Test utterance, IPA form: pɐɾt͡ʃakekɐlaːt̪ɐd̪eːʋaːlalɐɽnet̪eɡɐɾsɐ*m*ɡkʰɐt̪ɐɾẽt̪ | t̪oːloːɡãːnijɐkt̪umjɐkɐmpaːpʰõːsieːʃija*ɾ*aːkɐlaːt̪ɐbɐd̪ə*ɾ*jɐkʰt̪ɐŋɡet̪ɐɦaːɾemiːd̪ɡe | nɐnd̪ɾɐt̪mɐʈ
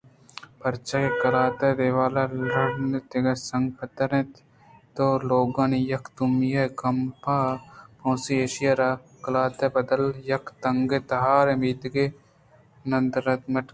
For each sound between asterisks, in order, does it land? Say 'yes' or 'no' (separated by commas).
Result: no, yes, no